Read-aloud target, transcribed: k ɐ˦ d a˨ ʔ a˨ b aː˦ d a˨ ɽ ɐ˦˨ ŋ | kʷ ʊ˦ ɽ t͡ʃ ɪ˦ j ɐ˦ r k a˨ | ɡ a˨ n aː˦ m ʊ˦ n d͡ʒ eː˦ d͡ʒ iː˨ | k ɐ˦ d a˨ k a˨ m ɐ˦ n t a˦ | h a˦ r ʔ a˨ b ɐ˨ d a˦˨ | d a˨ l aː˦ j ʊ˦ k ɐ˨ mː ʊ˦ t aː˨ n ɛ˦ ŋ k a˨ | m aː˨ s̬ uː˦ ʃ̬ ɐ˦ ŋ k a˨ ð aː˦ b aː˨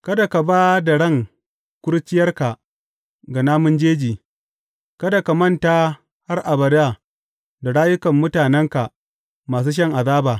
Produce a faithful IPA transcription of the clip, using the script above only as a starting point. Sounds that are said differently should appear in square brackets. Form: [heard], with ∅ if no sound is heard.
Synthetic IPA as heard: k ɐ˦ d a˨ [k] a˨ b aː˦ d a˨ ɽ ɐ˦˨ ŋ | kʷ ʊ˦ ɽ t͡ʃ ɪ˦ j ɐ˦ r k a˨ | ɡ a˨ n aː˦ m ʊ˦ n d͡ʒ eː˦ d͡ʒ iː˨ | k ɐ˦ d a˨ k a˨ m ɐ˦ n t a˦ | h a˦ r ʔ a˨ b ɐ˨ d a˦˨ | d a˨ [ɽ] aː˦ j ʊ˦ k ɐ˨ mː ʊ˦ t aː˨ n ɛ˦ ŋ k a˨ | m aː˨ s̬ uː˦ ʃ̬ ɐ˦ ŋ [ʔ] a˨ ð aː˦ b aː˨